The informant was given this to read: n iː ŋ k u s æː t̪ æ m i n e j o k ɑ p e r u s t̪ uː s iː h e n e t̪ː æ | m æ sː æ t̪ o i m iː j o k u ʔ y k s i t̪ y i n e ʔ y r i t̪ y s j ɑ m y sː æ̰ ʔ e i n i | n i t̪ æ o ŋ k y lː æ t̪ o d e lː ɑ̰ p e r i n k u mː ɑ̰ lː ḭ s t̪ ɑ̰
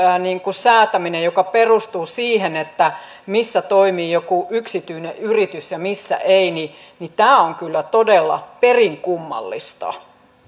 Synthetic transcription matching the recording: n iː ŋ k u s æː t̪ æ m i n e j o k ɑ p e r u s t̪ uː s iː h e n e t̪ː æ | m i sː æ t̪ o i m iː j o k u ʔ y k s i t̪ y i n e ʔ y r i t̪ y s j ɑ m i sː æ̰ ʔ e i n i | n i t̪ æː o ŋ k y lː æ t̪ o d e lː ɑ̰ p e r i ŋ k u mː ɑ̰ lː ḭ s t̪ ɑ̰